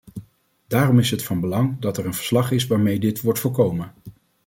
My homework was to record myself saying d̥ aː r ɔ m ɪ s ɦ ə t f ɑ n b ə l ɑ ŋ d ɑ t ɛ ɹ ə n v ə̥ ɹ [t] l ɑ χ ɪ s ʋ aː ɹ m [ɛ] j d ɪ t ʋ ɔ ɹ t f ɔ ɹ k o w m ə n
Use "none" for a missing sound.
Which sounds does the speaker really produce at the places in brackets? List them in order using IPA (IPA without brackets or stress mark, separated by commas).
s, e